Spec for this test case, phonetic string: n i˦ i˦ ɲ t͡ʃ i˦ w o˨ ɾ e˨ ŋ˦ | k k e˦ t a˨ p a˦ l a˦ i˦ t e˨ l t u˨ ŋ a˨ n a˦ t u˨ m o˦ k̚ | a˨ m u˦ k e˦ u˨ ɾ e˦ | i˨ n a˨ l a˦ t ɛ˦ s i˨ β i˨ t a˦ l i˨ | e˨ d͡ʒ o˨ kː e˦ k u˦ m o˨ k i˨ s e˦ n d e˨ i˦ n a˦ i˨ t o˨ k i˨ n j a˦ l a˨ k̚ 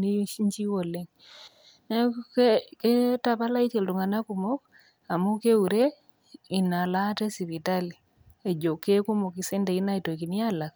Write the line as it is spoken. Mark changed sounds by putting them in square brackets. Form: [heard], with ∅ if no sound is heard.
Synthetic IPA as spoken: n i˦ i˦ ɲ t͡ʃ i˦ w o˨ [l] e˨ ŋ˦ | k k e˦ t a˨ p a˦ l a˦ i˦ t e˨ l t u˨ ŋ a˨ n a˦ [k] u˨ m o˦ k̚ | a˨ m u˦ k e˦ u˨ ɾ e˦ | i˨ n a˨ l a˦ t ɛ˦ s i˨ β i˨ t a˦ l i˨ | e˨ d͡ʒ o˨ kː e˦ k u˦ m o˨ k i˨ s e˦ n d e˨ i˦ n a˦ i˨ t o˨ k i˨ n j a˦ l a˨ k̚